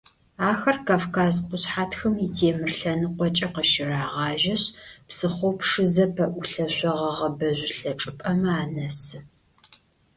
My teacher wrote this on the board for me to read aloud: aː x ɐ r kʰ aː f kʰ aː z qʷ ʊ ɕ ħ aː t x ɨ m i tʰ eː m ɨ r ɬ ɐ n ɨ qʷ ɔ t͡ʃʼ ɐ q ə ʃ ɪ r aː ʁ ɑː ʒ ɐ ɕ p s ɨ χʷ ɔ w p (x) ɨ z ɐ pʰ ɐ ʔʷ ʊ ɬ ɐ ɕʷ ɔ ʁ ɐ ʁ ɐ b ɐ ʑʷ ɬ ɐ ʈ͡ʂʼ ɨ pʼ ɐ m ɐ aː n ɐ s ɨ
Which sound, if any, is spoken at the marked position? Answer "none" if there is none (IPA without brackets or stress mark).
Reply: ʂ